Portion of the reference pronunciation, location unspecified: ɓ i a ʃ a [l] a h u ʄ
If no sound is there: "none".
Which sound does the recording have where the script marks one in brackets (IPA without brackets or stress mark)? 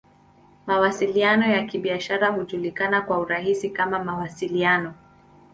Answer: ɾ